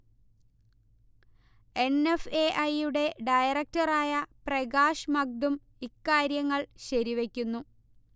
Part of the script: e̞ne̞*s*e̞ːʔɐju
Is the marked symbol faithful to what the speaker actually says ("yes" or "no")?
no